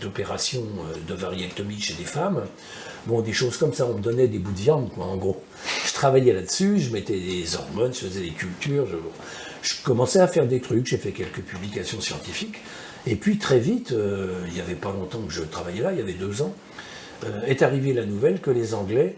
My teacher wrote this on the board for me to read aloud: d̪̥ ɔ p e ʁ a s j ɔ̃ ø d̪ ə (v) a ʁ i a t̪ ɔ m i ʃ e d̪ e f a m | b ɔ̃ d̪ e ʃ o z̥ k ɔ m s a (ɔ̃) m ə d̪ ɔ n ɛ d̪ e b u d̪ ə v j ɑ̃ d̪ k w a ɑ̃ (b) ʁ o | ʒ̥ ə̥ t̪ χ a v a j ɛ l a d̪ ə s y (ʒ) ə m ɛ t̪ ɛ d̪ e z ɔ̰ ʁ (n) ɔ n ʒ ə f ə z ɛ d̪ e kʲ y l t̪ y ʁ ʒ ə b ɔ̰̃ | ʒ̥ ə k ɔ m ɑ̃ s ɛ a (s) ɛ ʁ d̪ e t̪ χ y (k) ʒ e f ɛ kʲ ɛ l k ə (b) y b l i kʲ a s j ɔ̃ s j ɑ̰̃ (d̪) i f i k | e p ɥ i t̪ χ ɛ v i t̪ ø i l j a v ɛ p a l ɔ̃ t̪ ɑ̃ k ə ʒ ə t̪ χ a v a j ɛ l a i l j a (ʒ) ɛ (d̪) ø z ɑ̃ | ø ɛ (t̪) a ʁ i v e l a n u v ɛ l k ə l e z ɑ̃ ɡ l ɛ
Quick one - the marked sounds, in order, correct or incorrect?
correct, correct, incorrect, correct, incorrect, incorrect, correct, incorrect, incorrect, incorrect, correct, correct

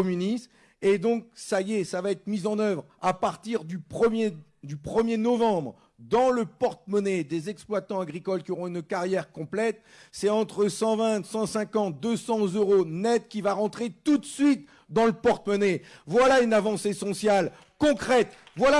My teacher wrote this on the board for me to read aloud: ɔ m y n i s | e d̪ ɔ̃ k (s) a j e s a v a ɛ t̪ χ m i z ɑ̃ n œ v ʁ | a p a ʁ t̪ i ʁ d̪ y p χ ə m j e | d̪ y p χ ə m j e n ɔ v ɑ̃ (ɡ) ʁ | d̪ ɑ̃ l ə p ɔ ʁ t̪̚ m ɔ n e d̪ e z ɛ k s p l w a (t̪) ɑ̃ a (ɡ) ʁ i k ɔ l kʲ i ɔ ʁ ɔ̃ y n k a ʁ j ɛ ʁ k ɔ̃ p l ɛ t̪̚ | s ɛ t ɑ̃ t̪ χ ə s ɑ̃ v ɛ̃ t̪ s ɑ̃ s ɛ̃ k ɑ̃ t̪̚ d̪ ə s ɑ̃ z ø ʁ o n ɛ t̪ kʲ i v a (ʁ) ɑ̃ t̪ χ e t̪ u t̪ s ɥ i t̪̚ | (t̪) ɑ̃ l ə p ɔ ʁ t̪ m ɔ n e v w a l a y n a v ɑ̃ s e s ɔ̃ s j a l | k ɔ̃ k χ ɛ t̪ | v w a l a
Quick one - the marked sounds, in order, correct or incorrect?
correct, incorrect, correct, correct, correct, incorrect

